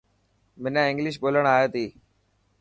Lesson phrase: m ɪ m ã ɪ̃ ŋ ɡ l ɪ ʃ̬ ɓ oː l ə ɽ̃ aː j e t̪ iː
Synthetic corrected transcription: m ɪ n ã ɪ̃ ŋ ɡ l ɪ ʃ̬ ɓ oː l ə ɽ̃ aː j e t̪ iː

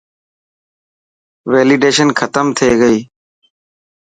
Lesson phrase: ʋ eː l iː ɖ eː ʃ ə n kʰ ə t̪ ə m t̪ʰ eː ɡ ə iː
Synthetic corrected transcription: ʋ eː l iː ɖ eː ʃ ə n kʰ ə t̪ ə m t̪ʰ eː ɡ ə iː

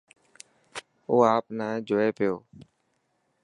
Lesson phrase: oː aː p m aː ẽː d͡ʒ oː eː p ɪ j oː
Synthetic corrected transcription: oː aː p n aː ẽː d͡ʒ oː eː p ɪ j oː

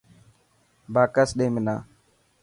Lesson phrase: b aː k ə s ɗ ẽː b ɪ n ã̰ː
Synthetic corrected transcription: b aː k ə s ɗ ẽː m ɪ n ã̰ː

